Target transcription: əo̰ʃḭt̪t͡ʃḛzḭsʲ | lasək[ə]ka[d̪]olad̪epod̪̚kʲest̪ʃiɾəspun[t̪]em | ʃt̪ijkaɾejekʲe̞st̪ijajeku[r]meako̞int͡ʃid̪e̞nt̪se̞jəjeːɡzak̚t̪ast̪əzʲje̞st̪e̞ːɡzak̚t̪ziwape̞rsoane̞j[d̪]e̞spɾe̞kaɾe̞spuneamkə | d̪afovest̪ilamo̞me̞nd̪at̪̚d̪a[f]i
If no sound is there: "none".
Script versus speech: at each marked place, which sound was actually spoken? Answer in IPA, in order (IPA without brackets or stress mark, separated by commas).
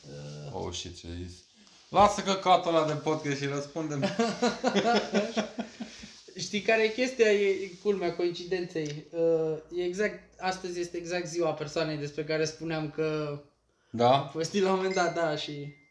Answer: ə, t̪, d̪, l, d̪, ʃ